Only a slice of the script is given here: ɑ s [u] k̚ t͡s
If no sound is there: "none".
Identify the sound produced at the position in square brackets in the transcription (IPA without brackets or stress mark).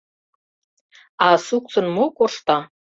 u